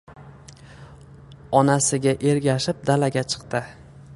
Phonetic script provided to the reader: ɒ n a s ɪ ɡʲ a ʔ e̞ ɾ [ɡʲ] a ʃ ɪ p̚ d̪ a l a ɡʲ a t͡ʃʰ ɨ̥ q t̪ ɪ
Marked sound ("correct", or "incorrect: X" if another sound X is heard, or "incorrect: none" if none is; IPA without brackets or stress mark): correct